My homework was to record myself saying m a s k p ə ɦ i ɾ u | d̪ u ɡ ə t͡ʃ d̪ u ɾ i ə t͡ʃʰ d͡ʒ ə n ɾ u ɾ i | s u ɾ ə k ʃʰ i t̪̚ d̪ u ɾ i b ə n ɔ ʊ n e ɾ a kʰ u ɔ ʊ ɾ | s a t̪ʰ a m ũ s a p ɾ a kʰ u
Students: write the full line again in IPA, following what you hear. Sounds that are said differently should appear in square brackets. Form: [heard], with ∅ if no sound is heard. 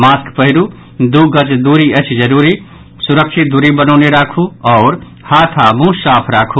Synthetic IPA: m a s k p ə ɦ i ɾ u | d̪ u ɡ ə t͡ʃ d̪ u ɾ i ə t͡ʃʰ d͡ʒ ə [∅] ɾ u ɾ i | s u ɾ ə k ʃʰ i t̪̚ d̪ u ɾ i b ə n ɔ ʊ n e ɾ a kʰ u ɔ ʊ ɾ | [h] a t̪ʰ a m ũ s a [pʰ] ɾ a kʰ u